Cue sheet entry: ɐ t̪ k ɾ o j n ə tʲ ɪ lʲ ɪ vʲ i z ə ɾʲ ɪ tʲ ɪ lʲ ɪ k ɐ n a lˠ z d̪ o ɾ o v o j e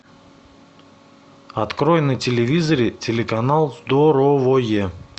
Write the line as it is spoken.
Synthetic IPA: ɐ t̪ k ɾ o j n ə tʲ ɪ lʲ ɪ vʲ i z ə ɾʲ ɪ tʲ ɪ lʲ ɪ k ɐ n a lˠ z d̪ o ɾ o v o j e